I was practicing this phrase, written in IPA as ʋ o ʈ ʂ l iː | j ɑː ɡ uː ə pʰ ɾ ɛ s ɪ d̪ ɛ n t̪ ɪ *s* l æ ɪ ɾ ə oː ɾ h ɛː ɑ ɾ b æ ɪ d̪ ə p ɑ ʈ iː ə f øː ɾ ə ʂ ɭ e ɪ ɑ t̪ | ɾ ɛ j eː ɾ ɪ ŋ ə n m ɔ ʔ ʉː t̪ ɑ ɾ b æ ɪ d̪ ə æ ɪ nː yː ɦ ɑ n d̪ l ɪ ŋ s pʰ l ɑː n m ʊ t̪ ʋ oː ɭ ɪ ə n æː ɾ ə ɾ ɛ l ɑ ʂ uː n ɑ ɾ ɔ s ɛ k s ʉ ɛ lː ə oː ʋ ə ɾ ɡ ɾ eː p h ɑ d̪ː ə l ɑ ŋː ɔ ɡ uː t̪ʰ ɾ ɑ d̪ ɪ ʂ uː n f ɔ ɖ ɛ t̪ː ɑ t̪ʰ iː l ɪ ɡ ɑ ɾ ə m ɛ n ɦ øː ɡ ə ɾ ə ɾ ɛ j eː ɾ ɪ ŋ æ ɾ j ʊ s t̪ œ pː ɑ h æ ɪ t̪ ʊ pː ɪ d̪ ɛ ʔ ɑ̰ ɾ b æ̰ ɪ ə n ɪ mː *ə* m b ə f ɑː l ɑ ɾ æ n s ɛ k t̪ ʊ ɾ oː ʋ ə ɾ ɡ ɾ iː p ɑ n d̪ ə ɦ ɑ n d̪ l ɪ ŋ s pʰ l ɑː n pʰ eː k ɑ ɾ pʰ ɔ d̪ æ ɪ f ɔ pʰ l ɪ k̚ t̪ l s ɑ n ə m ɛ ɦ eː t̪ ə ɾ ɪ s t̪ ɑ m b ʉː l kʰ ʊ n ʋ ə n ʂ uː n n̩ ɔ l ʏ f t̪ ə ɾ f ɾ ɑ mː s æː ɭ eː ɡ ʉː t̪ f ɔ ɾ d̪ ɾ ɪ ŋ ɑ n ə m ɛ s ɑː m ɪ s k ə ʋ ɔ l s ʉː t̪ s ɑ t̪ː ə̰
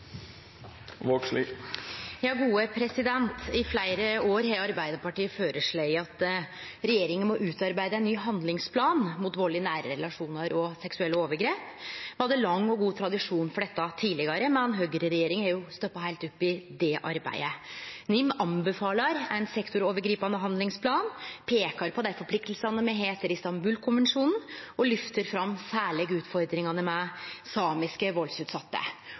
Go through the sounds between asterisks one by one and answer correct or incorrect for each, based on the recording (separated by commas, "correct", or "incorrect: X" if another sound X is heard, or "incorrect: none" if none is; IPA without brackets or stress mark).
incorrect: f, incorrect: ɑ